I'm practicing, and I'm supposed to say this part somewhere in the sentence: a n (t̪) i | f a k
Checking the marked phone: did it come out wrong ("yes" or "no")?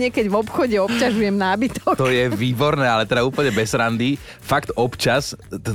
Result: yes